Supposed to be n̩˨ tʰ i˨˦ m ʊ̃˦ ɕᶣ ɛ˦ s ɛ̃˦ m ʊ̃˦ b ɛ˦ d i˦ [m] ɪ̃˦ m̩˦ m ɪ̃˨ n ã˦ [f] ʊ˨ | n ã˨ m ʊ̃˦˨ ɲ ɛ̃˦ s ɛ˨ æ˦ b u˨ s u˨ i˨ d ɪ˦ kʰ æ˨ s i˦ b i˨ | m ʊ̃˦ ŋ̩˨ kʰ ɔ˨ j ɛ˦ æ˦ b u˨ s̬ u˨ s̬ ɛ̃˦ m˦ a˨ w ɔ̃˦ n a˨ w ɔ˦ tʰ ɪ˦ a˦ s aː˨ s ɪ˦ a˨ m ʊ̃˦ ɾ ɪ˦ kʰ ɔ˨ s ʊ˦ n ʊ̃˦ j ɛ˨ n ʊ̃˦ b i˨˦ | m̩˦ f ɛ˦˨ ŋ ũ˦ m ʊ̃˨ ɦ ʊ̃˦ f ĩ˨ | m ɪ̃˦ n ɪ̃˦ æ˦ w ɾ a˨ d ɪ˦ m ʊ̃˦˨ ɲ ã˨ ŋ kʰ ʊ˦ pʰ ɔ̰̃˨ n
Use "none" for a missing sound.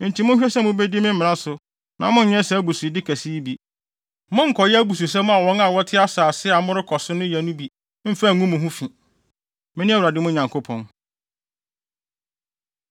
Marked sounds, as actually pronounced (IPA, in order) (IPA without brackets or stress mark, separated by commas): m, s